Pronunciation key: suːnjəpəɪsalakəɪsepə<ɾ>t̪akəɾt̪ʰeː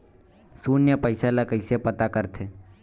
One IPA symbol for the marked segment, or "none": none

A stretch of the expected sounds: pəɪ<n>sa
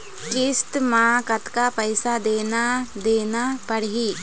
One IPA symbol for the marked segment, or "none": none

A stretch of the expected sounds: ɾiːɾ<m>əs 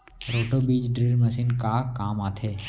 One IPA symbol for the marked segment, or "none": m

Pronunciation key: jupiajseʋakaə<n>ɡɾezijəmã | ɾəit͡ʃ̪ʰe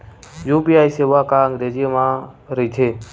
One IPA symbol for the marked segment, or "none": ŋ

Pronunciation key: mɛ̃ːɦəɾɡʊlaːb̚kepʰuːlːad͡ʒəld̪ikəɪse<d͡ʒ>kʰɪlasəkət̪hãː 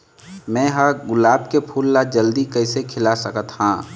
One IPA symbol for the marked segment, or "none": none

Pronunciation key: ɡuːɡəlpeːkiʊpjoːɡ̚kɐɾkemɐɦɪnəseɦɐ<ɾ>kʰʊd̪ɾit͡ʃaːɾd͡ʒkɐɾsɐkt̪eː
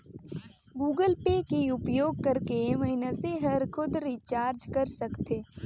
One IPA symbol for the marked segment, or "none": ɾ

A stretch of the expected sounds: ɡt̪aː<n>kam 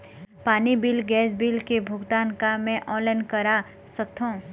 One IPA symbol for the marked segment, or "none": n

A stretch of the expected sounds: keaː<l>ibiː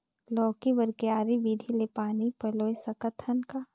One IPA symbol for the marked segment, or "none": ɾ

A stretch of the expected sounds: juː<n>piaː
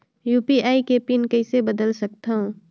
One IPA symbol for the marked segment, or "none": none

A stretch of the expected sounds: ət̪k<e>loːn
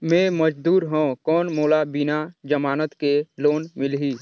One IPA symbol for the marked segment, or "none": e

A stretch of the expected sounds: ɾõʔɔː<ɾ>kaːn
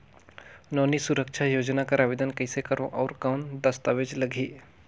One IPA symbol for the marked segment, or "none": ɾ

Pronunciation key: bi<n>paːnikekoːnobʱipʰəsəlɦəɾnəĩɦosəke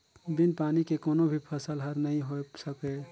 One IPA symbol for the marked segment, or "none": n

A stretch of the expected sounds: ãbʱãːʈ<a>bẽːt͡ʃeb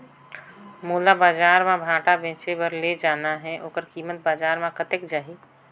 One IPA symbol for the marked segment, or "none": a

